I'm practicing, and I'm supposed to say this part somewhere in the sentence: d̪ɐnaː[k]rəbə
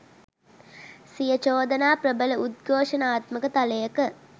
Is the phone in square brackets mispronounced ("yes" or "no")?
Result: yes